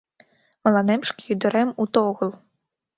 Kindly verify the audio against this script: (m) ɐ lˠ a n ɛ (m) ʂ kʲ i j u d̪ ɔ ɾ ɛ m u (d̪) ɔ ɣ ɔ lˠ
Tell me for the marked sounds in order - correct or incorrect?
correct, correct, incorrect: t̪

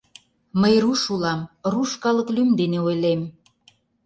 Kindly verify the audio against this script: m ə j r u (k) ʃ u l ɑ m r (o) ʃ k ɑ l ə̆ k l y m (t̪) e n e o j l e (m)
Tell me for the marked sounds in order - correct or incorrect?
incorrect: none, incorrect: u, incorrect: d̪, correct

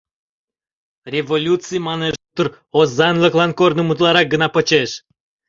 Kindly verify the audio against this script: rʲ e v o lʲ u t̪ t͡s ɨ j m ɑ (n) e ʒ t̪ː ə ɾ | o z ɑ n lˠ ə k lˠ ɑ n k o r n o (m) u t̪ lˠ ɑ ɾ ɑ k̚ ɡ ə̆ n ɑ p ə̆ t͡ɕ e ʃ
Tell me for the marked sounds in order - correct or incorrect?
correct, correct

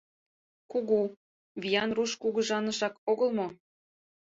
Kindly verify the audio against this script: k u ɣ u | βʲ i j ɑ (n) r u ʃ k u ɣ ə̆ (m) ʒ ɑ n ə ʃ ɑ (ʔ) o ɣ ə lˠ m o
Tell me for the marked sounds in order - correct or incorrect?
correct, incorrect: none, incorrect: k

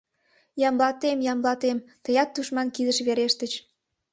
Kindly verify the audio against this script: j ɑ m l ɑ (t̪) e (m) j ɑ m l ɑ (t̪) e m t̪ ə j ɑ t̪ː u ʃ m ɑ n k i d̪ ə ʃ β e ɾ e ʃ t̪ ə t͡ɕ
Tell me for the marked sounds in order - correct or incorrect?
correct, correct, correct

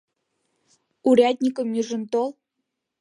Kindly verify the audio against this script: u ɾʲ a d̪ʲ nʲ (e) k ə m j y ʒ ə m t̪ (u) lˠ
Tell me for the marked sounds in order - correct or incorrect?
incorrect: i, incorrect: o

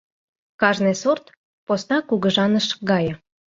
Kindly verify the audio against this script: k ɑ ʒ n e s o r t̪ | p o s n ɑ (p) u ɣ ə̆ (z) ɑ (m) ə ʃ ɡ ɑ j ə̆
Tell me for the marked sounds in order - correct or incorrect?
incorrect: k, incorrect: ʒ, incorrect: n

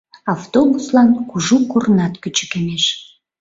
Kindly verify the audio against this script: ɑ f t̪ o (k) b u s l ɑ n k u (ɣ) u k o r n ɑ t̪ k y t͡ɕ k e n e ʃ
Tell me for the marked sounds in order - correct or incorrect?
incorrect: none, incorrect: ʒ

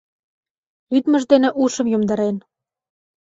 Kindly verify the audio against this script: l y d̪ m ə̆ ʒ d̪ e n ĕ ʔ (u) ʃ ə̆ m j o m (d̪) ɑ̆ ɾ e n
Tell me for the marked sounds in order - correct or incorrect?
correct, correct

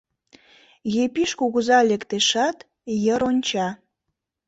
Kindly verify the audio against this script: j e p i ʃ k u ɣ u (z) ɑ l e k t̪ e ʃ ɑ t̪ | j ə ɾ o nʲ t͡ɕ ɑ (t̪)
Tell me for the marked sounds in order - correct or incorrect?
correct, incorrect: none

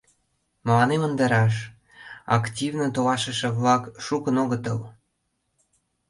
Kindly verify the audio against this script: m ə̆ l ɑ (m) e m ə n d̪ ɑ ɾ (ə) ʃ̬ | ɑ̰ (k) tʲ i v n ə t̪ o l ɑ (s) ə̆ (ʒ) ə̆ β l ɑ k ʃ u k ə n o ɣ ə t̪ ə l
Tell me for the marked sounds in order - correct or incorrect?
incorrect: n, incorrect: ɑ, correct, incorrect: ʃ, incorrect: ʃ

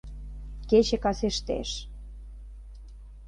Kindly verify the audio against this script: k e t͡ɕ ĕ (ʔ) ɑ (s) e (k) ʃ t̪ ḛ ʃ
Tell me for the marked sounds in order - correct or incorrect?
incorrect: k, correct, incorrect: none

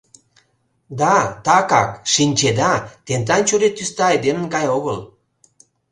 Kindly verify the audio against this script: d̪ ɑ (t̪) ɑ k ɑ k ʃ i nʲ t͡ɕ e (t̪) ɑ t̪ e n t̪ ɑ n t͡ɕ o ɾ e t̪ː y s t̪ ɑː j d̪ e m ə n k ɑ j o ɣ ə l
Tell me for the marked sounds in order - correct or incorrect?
correct, incorrect: d̪

